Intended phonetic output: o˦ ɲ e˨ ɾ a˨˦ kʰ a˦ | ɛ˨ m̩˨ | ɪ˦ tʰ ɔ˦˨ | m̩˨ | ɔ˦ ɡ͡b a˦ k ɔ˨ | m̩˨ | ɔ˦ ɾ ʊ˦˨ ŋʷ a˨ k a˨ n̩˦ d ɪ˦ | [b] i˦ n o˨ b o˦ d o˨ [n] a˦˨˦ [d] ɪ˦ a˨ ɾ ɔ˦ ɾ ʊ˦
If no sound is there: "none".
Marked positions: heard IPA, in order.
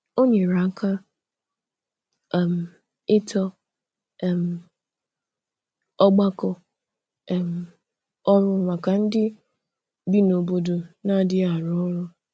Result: b, n, d

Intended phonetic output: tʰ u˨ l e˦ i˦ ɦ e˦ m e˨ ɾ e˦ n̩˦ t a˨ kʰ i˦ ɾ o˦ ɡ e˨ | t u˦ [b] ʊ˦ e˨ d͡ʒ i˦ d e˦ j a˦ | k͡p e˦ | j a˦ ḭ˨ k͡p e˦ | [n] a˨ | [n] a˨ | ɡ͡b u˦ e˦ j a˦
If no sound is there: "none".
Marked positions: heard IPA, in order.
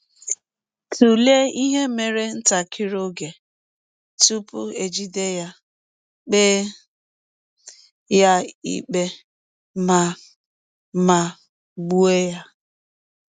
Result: p, m, m

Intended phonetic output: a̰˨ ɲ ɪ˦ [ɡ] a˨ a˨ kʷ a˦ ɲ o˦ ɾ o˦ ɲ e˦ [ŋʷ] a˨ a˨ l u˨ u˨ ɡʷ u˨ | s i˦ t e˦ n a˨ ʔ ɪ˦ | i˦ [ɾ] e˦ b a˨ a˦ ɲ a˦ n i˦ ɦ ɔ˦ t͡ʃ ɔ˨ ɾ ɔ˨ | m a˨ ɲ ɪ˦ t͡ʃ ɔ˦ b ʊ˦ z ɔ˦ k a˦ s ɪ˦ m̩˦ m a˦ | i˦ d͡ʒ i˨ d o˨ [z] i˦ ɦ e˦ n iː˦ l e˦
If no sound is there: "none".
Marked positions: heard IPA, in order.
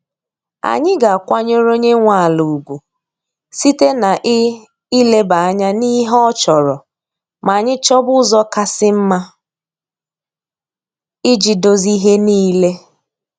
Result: ɡ, ŋʷ, l, z

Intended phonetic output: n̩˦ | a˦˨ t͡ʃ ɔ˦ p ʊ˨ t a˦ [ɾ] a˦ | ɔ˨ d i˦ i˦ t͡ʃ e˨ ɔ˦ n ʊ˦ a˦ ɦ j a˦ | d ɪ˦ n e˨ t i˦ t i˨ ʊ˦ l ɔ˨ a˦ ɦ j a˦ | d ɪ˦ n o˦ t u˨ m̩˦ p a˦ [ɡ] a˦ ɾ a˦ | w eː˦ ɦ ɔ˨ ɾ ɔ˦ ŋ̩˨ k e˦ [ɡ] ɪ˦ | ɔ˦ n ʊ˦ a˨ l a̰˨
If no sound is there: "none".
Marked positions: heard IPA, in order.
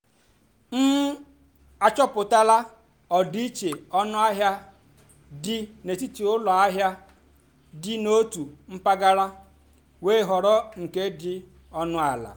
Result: l, ɡ, d

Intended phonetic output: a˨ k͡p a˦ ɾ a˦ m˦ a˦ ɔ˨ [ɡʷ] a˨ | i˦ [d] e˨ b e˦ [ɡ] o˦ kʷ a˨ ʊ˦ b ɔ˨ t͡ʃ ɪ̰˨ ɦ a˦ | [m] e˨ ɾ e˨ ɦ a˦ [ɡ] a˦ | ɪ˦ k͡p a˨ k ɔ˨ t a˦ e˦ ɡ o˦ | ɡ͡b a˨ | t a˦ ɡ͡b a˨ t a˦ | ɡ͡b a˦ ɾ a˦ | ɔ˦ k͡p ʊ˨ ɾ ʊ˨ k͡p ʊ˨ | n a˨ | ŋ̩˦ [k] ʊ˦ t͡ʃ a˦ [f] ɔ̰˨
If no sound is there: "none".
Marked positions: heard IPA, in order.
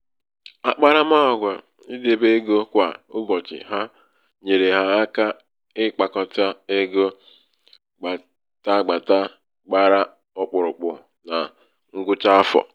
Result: ɡʷ, d, ɡ, ɲ, k, ɡ, f

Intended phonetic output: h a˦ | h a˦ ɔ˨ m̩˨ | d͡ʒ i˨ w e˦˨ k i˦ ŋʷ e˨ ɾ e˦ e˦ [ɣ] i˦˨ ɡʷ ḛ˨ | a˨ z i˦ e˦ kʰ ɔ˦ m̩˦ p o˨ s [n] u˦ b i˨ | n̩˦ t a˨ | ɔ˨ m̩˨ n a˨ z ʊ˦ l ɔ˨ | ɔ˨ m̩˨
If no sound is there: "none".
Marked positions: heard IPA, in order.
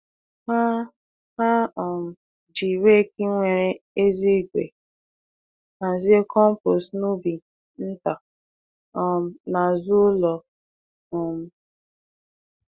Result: z, n

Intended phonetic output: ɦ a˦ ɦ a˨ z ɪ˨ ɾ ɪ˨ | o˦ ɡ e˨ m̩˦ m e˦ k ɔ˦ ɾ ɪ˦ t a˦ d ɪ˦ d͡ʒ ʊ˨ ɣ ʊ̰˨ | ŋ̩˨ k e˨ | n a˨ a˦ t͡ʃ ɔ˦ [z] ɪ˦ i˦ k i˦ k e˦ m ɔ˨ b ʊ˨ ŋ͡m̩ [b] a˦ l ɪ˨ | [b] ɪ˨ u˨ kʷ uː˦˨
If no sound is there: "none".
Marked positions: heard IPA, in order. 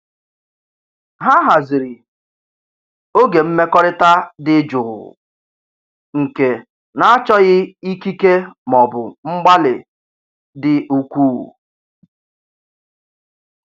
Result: ɣ, ɡ͡b, d

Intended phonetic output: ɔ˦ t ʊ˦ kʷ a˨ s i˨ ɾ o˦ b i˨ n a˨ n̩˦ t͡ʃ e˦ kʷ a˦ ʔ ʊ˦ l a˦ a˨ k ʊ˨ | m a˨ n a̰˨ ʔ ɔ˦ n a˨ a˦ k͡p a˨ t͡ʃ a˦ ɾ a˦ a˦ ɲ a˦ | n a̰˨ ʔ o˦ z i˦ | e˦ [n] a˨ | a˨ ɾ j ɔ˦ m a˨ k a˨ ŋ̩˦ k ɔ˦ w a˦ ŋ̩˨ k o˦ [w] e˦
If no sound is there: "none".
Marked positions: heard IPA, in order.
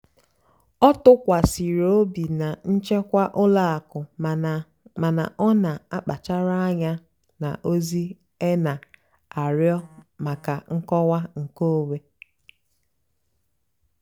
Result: n, w

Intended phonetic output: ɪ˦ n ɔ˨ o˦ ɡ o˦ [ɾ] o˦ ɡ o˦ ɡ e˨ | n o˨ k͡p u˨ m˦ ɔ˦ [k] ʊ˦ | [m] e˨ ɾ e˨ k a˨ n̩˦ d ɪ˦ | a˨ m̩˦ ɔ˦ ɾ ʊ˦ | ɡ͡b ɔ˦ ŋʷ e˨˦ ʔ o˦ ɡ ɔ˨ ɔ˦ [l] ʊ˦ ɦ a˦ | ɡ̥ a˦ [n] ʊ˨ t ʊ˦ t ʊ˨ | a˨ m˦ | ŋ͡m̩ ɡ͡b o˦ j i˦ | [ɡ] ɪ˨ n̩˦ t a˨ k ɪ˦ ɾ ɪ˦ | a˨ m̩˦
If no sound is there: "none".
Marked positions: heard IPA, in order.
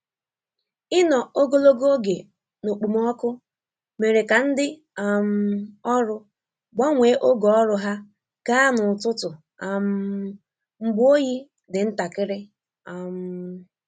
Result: l, k, m, ɾ, n, d

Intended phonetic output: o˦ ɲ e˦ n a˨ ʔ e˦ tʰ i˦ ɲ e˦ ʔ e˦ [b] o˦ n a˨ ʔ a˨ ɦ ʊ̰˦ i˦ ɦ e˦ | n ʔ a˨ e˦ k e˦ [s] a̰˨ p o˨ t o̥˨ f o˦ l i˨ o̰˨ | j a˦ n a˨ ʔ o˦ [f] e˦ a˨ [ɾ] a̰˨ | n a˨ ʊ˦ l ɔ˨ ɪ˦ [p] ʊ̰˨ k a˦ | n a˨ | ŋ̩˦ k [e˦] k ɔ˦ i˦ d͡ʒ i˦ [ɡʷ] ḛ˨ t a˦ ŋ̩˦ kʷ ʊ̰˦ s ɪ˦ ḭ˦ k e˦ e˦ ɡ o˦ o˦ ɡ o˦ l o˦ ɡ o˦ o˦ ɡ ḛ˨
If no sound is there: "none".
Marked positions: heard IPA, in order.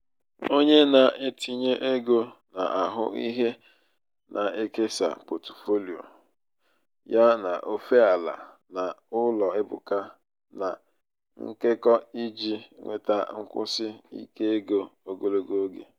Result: ɡ, s, f, l, b, e˦, ŋʷ

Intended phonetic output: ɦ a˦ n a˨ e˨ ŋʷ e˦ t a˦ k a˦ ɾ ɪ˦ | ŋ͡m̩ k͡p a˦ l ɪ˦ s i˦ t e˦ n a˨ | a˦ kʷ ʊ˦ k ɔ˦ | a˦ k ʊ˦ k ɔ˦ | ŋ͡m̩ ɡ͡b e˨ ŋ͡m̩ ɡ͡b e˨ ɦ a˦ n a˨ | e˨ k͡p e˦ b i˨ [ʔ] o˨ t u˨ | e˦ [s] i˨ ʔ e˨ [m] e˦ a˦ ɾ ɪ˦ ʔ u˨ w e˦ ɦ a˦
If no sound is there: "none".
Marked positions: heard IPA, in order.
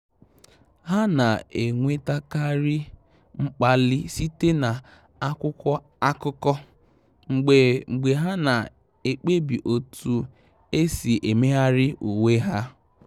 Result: ʔ, s, m

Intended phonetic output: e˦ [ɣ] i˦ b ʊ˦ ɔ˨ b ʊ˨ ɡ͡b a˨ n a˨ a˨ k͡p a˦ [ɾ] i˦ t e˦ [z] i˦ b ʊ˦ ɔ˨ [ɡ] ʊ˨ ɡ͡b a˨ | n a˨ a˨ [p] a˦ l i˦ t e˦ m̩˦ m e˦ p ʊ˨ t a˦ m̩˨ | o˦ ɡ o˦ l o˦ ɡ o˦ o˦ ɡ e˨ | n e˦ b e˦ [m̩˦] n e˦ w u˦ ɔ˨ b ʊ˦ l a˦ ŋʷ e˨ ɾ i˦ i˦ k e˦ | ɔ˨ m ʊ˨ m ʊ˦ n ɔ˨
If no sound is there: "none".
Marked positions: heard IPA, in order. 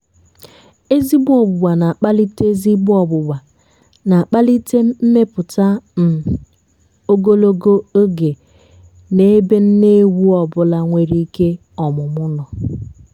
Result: z, l, z, b, k͡p, n̩˦

